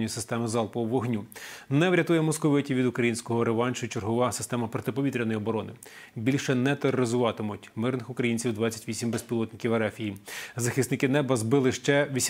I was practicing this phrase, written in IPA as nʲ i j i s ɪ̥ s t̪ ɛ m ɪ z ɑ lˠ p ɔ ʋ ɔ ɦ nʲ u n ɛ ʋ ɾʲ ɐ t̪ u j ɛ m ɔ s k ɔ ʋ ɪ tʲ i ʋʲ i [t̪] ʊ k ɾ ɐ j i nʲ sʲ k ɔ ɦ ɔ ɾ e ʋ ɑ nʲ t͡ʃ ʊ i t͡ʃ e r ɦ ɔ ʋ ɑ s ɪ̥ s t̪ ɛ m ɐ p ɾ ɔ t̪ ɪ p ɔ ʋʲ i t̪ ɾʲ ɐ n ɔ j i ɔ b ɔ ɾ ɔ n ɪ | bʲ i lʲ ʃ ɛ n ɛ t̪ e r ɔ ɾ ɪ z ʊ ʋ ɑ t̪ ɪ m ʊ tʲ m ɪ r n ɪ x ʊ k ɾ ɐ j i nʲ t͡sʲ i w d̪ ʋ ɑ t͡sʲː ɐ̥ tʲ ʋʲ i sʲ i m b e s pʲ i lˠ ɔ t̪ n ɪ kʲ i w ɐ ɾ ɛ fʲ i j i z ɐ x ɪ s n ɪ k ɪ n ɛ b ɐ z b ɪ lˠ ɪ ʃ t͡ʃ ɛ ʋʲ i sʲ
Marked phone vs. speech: incorrect: d̪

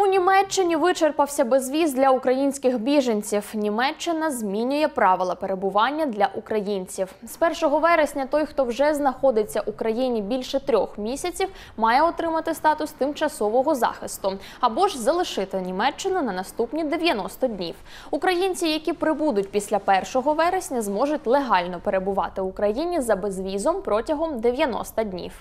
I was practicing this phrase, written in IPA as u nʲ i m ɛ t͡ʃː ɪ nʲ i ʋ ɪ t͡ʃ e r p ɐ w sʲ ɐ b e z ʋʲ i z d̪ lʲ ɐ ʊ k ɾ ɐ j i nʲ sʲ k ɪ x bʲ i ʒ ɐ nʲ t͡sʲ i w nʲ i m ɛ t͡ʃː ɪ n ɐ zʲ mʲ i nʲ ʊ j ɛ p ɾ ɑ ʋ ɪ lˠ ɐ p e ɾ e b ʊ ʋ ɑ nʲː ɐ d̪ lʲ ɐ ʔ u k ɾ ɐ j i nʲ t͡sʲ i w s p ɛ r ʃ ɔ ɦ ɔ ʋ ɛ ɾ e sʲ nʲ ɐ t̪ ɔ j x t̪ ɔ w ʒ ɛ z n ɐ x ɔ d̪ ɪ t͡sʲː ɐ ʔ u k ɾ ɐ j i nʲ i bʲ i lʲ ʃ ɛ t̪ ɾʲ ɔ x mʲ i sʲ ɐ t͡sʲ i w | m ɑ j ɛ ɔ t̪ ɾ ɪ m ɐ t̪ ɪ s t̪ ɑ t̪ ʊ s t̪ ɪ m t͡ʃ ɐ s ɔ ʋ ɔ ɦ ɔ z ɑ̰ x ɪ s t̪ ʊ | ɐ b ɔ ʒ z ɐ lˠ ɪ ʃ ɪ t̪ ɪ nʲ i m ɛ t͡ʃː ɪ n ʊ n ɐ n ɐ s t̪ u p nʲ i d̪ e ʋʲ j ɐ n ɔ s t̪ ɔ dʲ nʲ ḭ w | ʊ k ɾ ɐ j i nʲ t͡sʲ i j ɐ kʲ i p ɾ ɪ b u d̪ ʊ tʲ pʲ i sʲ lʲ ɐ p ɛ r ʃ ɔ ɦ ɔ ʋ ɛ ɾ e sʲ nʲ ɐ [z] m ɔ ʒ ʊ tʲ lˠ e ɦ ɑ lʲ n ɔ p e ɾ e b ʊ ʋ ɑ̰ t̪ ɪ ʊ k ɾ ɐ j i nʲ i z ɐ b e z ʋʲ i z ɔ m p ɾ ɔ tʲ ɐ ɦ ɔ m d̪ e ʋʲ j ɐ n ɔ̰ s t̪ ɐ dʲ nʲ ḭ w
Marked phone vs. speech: correct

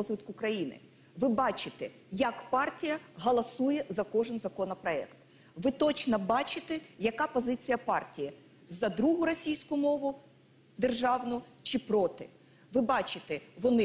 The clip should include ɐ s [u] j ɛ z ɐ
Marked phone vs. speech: correct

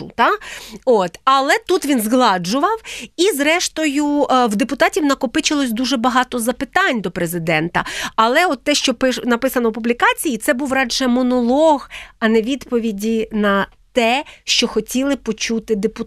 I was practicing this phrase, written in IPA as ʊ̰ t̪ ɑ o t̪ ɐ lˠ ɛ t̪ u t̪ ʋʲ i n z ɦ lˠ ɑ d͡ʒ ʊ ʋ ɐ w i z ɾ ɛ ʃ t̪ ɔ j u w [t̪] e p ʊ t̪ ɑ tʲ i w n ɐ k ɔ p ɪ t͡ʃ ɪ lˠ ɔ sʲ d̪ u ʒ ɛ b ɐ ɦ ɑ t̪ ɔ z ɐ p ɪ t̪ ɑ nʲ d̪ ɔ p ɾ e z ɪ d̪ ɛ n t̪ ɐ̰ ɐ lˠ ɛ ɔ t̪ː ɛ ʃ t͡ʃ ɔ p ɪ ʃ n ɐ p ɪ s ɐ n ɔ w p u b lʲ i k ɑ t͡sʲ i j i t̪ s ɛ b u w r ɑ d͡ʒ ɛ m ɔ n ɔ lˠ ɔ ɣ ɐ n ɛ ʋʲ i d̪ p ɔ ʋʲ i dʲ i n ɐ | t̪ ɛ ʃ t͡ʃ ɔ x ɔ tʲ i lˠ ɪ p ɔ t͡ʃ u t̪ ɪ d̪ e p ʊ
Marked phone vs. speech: incorrect: d̪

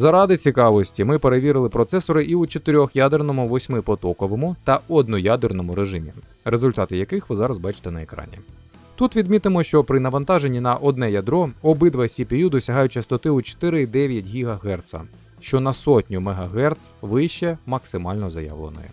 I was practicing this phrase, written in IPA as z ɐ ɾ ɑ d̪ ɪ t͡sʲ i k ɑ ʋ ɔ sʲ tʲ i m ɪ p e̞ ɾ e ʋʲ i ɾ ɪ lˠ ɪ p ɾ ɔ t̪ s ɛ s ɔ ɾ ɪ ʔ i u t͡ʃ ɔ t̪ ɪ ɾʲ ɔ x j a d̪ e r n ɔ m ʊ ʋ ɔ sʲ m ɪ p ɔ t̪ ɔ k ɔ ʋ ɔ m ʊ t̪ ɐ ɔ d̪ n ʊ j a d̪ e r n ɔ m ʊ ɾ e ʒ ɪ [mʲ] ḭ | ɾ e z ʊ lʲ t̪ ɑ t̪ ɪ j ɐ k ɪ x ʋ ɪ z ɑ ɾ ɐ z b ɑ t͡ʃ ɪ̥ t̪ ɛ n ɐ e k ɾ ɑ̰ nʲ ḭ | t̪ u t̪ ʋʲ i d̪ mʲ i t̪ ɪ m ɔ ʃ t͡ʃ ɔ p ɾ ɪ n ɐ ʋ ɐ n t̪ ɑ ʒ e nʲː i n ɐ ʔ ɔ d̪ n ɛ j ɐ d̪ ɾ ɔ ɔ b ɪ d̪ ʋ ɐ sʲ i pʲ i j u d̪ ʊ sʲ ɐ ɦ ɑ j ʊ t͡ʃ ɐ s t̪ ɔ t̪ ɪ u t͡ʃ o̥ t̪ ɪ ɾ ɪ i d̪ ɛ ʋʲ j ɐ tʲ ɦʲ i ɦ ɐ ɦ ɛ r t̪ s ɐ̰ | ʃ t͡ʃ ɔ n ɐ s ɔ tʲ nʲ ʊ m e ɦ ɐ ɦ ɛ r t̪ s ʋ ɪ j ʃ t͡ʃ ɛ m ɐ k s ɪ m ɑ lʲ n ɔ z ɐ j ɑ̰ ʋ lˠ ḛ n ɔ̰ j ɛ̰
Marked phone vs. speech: correct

